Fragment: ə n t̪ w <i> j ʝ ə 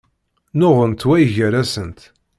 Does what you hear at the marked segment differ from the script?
yes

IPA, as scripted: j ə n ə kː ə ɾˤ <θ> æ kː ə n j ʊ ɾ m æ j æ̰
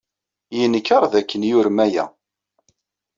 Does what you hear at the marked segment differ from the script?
yes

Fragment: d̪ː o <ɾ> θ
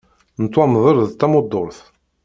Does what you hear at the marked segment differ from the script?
no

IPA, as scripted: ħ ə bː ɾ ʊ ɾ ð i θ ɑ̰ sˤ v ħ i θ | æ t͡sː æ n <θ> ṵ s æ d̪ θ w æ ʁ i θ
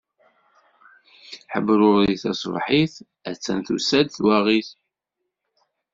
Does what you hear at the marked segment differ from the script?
no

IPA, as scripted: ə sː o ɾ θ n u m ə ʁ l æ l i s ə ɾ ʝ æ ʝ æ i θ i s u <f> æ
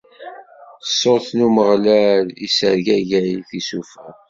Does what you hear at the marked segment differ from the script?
no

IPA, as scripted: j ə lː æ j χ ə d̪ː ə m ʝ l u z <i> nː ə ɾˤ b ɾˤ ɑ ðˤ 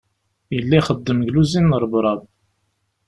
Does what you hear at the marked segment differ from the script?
no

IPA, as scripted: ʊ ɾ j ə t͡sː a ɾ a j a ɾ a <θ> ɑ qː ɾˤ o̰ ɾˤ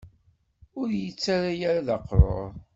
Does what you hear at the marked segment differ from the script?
yes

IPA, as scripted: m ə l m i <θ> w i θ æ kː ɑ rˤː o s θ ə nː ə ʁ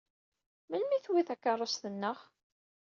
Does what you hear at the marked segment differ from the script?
no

